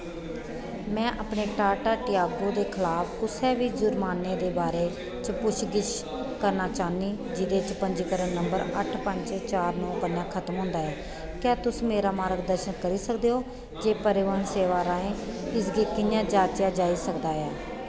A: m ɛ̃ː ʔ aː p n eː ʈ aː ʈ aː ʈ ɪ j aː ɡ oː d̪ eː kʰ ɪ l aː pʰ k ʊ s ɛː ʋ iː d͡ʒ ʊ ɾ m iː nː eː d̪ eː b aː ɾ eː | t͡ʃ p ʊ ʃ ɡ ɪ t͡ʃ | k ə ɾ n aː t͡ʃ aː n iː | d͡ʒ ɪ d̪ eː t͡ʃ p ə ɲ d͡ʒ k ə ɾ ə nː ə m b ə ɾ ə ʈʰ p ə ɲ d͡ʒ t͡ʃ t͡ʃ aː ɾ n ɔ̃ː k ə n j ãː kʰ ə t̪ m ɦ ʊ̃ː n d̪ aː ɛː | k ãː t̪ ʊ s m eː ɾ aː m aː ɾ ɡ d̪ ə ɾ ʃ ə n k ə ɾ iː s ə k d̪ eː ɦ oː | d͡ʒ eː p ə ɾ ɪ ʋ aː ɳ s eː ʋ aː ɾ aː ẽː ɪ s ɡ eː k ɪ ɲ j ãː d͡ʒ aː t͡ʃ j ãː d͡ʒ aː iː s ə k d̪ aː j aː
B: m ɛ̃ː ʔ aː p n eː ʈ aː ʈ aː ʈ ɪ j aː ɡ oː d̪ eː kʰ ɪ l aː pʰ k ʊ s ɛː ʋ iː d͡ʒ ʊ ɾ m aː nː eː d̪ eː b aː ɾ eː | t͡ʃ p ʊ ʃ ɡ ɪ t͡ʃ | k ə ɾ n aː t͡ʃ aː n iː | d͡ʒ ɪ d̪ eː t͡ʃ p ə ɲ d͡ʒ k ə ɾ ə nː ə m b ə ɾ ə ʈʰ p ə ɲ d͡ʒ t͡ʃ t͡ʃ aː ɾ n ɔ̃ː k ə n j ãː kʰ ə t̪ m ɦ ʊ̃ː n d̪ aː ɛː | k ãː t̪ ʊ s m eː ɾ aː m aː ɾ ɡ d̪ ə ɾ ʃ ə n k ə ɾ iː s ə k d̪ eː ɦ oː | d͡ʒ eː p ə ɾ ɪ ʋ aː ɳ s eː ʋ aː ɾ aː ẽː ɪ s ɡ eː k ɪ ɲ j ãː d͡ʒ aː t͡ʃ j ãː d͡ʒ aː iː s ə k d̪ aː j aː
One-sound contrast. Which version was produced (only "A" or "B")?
B